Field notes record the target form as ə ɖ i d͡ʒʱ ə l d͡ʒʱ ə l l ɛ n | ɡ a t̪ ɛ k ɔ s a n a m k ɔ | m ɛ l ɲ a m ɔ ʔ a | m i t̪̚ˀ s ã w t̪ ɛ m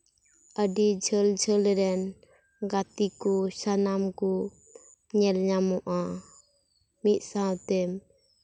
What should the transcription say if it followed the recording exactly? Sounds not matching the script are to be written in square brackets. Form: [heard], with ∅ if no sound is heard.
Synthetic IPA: ə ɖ i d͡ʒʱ ə l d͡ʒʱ ə l [ɾ] ɛ n | ɡ a t̪ [i] k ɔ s a n a m k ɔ | [ɲ] ɛ l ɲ a m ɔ ʔ a | m i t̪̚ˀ s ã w t̪ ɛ m

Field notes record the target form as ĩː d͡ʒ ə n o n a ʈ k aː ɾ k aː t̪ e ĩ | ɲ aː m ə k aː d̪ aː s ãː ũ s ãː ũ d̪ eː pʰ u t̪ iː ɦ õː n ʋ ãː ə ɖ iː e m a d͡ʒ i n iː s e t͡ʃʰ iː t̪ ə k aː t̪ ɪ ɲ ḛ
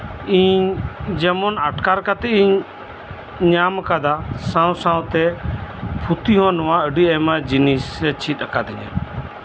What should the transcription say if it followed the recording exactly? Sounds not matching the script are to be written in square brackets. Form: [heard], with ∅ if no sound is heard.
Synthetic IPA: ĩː d͡ʒ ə [m] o n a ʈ k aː ɾ k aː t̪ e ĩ | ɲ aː m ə k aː d̪ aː s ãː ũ s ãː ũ [t̪] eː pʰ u t̪ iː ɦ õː n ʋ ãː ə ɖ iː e m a d͡ʒ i n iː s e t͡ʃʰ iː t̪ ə k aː [d̪] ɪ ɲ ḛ

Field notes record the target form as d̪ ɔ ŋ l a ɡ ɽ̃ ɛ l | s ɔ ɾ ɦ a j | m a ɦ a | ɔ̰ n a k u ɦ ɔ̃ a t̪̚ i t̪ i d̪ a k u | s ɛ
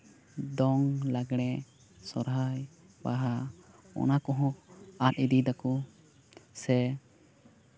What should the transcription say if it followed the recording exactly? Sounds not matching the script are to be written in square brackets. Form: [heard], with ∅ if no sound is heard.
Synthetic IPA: d̪ ɔ ŋ l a ɡ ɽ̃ ɛ [∅] | s ɔ ɾ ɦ a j | [b] a ɦ a | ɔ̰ n a k [ɔ] ɦ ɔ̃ a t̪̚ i [d̪] i d̪ a k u | s ɛ

